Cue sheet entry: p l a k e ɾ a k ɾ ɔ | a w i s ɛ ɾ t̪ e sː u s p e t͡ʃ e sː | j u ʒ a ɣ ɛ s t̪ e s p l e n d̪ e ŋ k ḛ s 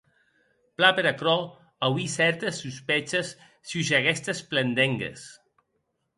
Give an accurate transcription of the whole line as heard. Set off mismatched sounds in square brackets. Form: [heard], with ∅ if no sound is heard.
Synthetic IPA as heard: p l a [p] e ɾ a k ɾ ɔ | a w i s ɛ ɾ t̪ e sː u s p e t͡ʃ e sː | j u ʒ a ɣ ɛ s t̪ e s p l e n d̪ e ŋ [ɡ] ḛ s